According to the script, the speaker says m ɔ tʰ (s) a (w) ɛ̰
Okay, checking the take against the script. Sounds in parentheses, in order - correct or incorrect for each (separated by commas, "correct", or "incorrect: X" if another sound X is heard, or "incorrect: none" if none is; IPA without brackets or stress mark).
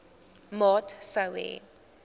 correct, correct